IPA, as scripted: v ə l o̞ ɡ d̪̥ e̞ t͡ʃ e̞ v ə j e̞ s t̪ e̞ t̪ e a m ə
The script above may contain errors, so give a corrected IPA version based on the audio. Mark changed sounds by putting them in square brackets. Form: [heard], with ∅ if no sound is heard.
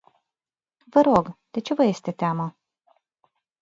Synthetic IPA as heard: v ə [ɾ] o̞ ɡ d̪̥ e̞ t͡ʃ e̞ v ə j e̞ s t̪ e̞ t̪ e a m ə

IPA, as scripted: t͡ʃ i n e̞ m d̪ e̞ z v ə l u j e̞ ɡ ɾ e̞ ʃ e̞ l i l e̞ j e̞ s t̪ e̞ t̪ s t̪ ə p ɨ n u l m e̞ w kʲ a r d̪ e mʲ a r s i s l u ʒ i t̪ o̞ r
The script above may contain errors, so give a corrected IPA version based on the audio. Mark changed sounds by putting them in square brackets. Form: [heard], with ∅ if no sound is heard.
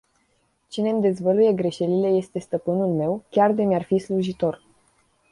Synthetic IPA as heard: t͡ʃ i n e̞ m d̪ e̞ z v ə l u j e̞ ɡ ɾ e̞ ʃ e̞ l i l e̞ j e̞ s t̪ e̞ [∅] s t̪ ə p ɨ n u l m e̞ w kʲ a r d̪ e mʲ a r [f] i s l u ʒ i t̪ o̞ r

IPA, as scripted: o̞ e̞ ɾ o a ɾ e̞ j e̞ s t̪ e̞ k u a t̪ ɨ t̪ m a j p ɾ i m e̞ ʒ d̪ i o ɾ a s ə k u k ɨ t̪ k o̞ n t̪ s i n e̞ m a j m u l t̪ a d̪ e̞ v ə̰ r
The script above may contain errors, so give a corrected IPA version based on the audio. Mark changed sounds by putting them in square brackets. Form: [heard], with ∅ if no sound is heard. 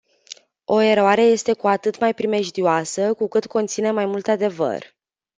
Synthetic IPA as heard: o̞ e̞ ɾ o a ɾ e̞ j e̞ s t̪ e̞ k u a t̪ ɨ t̪ m a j p ɾ i m e̞ ʒ d̪ i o [∅] a s ə k u k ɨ t̪ k o̞ n t̪ s i n e̞ m a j m u l t̪ a d̪ e̞ v ə̰ r

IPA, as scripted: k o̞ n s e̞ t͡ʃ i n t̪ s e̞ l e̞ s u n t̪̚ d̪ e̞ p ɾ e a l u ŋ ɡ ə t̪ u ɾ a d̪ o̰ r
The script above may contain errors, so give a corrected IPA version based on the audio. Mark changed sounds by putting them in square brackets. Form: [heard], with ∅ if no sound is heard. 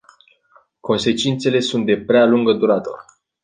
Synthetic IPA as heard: k o̞ n s e̞ t͡ʃ i n t̪ s e̞ l e̞ s u n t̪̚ d̪ e̞ p ɾ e a l u ŋ ɡ ə [d̪] u ɾ a [t̪] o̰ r

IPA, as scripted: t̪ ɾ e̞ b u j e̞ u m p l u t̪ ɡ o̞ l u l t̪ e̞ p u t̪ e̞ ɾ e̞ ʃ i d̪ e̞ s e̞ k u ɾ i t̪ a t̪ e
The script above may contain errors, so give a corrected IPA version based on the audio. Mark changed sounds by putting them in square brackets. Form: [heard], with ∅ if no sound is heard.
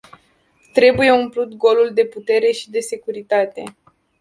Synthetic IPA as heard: t̪ ɾ e̞ b u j e̞ u m p l u t̪ ɡ o̞ l u l [d̪] e̞ p u t̪ e̞ ɾ e̞ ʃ i d̪ e̞ s e̞ k u ɾ i t̪ a t̪ e

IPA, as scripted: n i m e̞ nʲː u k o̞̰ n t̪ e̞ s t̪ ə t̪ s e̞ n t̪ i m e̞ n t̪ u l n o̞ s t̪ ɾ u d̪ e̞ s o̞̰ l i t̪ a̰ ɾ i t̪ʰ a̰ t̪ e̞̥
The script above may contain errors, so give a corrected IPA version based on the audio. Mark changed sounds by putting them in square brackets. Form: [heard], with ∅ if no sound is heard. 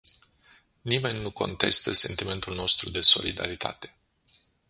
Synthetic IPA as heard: n i m e̞ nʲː u k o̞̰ n t̪ e̞ s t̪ ə [∅] s e̞ n t̪ i m e̞ n t̪ u l n o̞ s t̪ ɾ u d̪ e̞ s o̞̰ l i [d̪] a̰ ɾ i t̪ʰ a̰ t̪ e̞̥

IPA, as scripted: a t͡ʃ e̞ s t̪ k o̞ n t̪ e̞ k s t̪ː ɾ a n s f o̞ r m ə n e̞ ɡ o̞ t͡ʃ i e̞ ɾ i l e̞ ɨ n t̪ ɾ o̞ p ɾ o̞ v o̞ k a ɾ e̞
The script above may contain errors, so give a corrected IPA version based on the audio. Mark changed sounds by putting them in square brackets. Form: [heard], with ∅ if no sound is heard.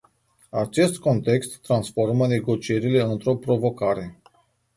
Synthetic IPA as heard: a t͡ʃ e̞ s t̪ k o̞ n t̪ e̞ k s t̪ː ɾ a n s f o̞ r m ə n e̞ ɡ o̞ t͡ʃ i e̞ ɾ i l e̞ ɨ n t̪ ɾ o̞ p ɾ o̞ v o̞ k a ɾ e̞

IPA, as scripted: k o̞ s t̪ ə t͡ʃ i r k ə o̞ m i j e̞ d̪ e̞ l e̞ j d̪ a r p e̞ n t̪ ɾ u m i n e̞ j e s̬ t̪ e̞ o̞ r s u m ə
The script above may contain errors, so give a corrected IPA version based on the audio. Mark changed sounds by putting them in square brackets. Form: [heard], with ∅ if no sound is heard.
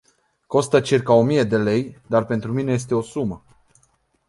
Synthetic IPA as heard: k o̞ s t̪ ə t͡ʃ i r k [a] o̞ m i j e̞ d̪ e̞ l e̞ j d̪ a r p e̞ n t̪ ɾ u m i n e̞ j e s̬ t̪ e̞ o̞ [∅] s u m ə

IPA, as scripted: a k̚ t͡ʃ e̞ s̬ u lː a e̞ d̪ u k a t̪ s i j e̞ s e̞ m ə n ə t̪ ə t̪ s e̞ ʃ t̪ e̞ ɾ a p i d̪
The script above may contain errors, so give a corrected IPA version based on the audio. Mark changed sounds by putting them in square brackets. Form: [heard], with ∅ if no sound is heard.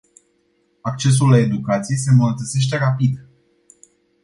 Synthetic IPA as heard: a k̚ t͡ʃ e̞ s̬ u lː a e̞ d̪ u k a t̪ s i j e̞ s e̞ m ə n ə t̪ ə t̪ s e̞ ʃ t̪ e̞ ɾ a p i d̪

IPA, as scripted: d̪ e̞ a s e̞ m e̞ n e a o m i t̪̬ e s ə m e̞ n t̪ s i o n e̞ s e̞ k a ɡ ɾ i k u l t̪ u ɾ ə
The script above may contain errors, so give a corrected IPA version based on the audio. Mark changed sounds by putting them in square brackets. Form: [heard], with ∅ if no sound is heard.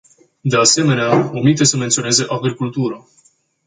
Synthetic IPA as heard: d̪ e̞ a s e̞ m e̞ n e a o m i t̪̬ e s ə m e̞ n t̪ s i o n e̞ [z] e̞ [ʔ] a ɡ ɾ i k u l t̪ u ɾ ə

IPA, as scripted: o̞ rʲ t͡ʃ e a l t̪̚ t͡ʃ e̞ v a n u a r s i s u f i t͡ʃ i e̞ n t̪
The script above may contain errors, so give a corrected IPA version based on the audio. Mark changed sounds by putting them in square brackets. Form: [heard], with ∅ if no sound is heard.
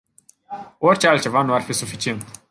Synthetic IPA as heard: o̞ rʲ t͡ʃ e a l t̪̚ t͡ʃ e̞ v a n u a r [f] i s u f i t͡ʃ i e̞ n t̪

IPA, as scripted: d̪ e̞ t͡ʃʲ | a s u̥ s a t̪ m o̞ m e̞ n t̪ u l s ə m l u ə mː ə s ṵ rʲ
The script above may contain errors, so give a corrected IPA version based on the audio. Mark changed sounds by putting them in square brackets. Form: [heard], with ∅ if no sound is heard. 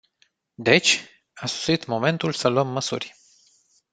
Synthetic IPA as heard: d̪ e̞ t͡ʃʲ | a s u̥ s [i] t̪ m o̞ m e̞ n t̪ u l s ə [∅] l u ə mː ə s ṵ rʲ

